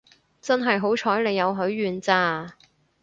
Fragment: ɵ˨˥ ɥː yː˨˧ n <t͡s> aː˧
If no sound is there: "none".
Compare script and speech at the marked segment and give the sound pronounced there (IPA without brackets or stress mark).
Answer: t͡s